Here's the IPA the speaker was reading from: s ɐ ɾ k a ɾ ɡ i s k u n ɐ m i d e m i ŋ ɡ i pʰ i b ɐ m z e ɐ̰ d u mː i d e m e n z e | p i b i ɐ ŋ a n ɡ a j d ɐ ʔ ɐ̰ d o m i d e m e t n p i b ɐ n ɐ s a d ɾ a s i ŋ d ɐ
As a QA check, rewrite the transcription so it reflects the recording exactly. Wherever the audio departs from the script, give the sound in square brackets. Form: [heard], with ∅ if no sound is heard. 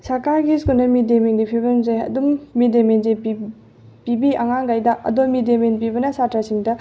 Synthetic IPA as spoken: s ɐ ɾ k a ɾ ɡ i s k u n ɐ m i d e m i ŋ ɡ i pʰ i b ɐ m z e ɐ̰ d u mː i d e m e n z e | p i b i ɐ ŋ a [ŋ] ɡ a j d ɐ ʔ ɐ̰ d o m i d e m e [∅] n p i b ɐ n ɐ s a [t] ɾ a s i ŋ d ɐ